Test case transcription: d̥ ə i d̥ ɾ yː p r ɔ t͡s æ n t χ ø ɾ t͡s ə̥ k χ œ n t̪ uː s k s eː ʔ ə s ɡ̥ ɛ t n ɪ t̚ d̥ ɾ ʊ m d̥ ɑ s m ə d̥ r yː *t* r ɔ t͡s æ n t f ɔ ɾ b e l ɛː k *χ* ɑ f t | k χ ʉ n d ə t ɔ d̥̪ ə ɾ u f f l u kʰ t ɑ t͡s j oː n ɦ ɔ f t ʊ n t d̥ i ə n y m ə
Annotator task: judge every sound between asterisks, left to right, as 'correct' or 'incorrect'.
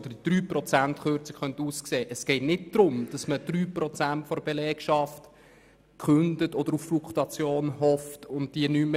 incorrect, incorrect

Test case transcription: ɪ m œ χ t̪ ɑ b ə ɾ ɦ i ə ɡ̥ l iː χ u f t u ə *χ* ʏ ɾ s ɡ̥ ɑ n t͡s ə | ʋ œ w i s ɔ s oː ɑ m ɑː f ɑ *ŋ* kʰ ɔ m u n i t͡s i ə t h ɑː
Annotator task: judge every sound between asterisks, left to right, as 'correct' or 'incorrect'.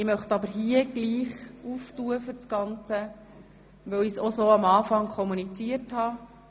incorrect, correct

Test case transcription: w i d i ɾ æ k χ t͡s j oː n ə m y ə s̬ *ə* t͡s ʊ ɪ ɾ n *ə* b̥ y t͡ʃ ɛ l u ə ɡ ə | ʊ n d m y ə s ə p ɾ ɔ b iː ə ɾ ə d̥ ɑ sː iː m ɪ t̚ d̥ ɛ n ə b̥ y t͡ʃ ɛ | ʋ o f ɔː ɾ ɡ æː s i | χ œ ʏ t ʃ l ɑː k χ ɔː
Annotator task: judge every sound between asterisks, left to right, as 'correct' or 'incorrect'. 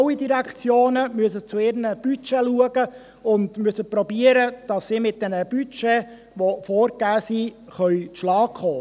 correct, correct

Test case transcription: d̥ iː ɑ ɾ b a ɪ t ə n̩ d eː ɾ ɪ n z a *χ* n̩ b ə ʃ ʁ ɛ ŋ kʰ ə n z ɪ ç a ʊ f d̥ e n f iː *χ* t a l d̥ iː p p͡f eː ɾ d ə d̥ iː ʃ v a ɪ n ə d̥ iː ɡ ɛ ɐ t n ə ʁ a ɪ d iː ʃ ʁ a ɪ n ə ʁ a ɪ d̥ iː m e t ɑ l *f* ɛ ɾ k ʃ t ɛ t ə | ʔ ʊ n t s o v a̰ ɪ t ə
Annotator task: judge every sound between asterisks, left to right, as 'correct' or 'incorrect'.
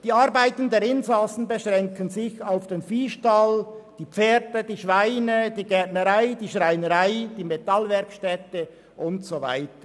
incorrect, incorrect, incorrect

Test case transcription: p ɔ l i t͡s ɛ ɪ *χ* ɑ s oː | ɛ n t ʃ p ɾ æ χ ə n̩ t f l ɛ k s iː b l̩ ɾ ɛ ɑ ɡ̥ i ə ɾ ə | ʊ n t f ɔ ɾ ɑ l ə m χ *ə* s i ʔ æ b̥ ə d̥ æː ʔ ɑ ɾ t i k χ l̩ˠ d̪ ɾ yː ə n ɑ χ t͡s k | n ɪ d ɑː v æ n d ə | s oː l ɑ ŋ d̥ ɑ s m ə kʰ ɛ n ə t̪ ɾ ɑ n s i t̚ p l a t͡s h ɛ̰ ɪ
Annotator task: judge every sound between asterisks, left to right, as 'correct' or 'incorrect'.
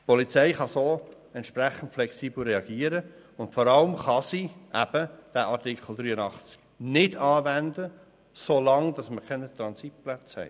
correct, incorrect

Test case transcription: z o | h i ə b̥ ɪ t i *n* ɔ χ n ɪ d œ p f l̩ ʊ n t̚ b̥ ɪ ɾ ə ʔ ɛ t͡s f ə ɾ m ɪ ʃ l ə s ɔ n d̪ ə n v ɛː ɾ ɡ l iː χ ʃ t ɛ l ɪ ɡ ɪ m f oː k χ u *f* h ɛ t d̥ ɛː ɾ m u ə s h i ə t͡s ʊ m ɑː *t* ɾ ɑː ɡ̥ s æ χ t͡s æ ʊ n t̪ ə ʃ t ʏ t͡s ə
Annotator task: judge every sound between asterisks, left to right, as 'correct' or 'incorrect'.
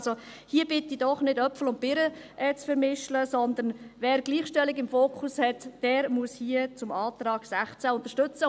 incorrect, incorrect, correct

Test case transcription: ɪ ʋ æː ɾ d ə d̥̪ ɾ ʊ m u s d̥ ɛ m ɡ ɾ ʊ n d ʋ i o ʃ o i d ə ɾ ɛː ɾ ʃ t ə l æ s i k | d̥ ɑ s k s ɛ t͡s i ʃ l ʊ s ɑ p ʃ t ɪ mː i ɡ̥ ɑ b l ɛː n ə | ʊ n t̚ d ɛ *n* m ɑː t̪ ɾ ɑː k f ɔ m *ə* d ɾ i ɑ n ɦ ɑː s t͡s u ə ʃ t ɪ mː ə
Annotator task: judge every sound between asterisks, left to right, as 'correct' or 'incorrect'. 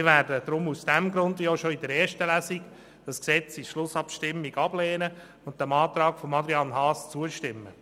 incorrect, incorrect

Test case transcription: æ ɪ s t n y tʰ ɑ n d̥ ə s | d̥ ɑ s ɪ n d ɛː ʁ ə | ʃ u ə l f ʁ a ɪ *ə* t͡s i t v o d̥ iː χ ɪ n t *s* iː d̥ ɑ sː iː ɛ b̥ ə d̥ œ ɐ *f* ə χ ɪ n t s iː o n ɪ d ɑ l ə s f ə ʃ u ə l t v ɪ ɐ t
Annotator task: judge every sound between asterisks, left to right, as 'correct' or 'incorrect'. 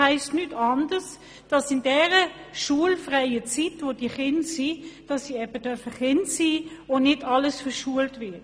correct, correct, correct

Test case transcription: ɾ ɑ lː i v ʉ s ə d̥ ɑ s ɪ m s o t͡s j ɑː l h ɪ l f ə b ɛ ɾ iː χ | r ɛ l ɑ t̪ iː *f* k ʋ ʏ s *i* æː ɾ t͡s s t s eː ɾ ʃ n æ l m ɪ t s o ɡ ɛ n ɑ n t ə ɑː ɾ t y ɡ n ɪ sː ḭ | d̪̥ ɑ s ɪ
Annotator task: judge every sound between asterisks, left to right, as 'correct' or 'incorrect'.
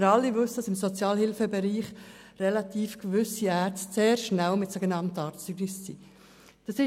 correct, correct

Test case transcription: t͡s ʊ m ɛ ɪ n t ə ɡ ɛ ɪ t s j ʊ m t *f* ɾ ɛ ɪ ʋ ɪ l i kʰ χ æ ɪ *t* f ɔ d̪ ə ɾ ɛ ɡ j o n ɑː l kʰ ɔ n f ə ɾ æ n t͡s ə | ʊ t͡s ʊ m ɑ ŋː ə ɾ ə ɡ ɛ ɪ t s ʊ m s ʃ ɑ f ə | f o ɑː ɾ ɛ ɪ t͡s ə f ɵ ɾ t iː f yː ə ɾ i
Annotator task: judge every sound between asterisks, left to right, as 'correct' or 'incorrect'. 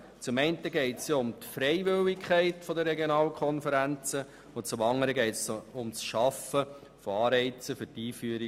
correct, correct

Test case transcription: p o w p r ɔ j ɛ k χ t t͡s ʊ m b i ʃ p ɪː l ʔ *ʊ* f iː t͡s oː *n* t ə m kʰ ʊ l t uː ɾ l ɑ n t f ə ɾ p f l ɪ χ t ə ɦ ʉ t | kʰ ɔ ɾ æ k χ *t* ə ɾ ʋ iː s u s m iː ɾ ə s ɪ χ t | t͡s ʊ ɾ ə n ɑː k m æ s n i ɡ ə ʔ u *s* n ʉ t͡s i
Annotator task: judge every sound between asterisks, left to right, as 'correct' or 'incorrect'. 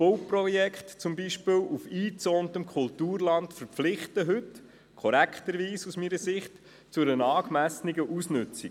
incorrect, correct, correct, correct

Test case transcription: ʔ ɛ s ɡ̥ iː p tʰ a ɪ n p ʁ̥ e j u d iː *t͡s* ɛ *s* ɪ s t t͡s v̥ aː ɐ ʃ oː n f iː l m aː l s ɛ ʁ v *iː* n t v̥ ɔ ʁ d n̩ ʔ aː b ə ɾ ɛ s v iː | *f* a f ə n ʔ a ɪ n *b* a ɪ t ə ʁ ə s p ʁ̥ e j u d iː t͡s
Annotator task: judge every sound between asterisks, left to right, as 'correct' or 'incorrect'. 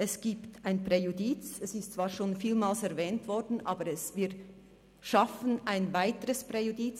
correct, correct, incorrect, incorrect, incorrect

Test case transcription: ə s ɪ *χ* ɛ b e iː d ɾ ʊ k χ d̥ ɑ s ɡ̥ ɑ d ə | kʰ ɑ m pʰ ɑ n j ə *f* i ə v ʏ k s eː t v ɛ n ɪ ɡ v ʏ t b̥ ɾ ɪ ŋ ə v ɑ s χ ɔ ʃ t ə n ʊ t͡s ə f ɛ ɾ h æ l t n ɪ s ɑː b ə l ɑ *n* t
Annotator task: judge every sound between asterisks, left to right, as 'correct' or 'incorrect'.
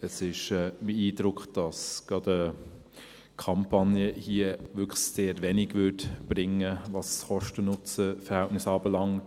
incorrect, incorrect, incorrect

